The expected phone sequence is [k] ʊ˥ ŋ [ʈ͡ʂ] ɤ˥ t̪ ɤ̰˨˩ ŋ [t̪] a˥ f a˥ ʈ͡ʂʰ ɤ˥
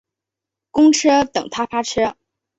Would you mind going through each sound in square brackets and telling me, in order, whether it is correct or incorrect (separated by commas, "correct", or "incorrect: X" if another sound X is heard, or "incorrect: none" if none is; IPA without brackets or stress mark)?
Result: correct, incorrect: ʈ͡ʂʰ, incorrect: t̪ʰ